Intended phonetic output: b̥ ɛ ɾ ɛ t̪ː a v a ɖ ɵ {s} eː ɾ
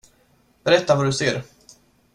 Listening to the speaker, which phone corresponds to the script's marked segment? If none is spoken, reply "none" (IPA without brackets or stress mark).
s